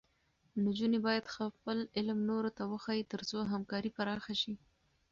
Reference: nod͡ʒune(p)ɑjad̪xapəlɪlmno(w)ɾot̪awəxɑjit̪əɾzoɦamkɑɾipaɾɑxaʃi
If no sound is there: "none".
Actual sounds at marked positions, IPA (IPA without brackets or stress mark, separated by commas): b, none